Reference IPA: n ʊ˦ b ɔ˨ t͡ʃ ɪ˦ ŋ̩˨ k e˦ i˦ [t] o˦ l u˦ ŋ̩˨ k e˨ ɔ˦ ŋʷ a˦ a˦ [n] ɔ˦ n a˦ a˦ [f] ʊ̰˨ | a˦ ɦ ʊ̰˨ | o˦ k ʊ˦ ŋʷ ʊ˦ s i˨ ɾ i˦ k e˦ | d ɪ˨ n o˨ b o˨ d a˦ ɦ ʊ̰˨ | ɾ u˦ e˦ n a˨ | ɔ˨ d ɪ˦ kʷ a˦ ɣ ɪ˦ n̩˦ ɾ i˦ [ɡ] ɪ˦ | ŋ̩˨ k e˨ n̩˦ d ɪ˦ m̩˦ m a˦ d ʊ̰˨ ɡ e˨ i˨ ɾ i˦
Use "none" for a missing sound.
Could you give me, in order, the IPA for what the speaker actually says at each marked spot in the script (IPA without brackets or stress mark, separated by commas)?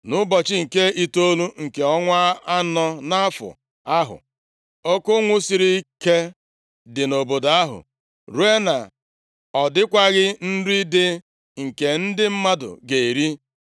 t, n, f, d